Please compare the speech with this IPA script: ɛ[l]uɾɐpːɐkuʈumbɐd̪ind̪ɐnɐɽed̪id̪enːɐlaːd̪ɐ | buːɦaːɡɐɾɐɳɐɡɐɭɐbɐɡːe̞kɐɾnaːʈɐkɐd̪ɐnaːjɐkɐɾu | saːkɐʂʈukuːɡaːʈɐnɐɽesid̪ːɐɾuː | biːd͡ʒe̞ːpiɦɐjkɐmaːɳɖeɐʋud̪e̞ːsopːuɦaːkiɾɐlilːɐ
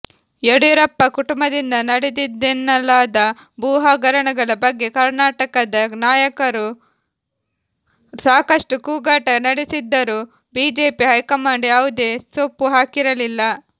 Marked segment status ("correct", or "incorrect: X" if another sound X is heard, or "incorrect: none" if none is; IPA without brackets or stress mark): incorrect: ɽ